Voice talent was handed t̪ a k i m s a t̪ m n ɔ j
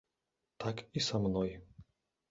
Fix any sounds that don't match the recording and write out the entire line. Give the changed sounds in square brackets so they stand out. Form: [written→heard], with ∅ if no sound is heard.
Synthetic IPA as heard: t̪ a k i [m→∅] s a [t̪→∅] m n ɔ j